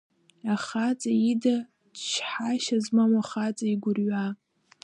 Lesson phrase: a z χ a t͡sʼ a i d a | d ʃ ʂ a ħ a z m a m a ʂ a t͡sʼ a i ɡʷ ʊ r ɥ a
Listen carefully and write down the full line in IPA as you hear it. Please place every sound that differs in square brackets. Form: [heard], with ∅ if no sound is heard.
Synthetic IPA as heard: a [∅] χ a t͡sʼ a i d a | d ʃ [ħ] a [ʃ] a z m a m a [χ] a t͡sʼ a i ɡʷ ʊ r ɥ a